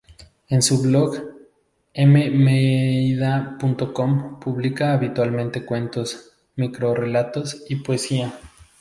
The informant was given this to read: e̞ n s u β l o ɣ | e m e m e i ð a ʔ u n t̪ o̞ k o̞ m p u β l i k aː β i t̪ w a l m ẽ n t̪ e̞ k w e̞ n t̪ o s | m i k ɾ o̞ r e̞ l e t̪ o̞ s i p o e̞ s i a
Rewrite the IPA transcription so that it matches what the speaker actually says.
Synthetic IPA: e̞ n s u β l o ɣ | e m e m e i ð a p u n t̪ o̞ k o̞ m p u β l i k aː β i t̪ w a l m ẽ n t̪ e̞ k w e̞ n t̪ o s | m i k ɾ o̞ r e̞ l a t̪ o̞ s i p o e̞ s i a